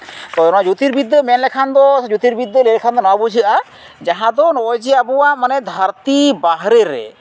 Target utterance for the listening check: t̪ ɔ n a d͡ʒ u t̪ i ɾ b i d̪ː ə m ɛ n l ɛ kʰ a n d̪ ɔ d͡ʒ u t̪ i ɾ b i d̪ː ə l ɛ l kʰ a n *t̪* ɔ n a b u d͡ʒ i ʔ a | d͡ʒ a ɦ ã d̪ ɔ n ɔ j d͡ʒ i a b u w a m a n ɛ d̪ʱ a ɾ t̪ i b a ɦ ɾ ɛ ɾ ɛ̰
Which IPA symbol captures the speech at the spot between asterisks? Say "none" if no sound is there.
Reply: d̪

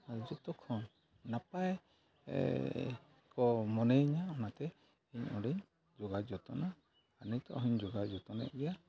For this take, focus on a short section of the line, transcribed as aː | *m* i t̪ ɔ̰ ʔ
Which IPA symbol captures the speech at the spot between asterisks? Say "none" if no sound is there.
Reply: n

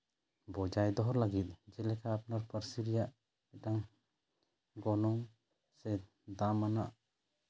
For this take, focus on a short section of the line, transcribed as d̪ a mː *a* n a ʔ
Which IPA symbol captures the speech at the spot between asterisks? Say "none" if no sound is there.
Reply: a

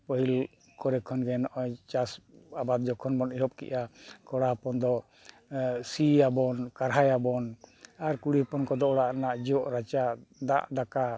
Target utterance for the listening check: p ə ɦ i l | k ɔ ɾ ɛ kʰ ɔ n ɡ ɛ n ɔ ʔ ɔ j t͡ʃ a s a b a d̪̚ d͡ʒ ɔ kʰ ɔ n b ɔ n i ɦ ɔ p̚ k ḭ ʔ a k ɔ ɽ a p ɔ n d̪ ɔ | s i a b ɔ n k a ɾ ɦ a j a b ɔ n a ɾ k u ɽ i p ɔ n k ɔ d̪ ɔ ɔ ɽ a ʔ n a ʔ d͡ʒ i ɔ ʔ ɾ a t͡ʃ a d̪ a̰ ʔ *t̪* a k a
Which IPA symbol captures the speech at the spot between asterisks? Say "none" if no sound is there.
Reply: d̪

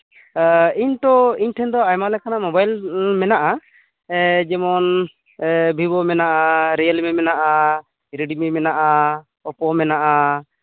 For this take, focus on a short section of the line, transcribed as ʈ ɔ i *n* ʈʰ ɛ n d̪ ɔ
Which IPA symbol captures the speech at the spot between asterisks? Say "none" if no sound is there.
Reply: ɲ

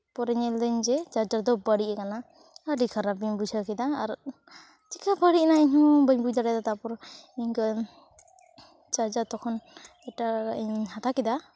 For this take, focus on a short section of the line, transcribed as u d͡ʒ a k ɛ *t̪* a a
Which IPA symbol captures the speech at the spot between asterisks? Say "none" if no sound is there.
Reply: d̪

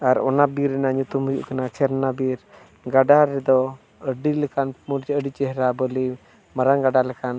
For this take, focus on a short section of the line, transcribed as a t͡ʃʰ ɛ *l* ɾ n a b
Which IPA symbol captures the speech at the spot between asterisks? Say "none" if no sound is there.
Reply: none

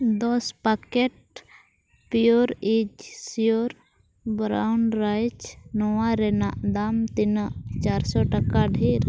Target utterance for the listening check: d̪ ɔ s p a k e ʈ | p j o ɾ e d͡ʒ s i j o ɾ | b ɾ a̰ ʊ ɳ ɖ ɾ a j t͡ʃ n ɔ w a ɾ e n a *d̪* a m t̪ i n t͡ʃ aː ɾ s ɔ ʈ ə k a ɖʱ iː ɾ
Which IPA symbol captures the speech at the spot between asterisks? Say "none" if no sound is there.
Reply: d̪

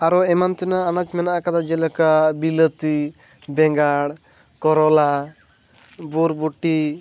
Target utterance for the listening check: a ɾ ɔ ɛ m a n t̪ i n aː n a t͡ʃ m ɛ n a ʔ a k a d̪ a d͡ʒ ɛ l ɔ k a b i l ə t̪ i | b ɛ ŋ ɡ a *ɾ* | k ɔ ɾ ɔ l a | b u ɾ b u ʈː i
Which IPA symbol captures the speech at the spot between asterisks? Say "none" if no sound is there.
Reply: ɽ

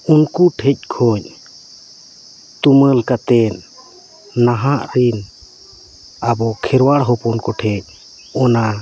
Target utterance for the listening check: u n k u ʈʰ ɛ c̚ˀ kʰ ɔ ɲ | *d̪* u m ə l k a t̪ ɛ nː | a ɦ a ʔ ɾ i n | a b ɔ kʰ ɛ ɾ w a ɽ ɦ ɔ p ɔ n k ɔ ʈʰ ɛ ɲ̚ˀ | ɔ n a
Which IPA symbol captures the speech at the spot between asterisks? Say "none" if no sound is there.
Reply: t̪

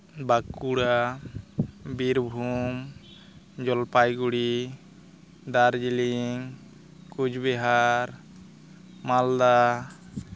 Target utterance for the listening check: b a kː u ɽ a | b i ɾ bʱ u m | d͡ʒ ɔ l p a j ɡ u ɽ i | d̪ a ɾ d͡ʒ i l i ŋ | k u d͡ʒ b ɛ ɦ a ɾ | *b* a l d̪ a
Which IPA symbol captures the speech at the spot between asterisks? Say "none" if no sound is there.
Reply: m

